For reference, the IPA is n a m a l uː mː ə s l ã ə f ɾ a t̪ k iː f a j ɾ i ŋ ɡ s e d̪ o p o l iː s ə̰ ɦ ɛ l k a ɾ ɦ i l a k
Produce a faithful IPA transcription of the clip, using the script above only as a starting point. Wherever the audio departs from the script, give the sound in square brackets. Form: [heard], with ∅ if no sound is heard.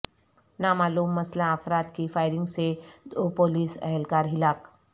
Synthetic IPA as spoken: n a m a l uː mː ə s l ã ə f ɾ a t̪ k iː f a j ɾ i ŋ ɡ s e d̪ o p o l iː s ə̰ ɦ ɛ l k a ɾ ɦ i l a k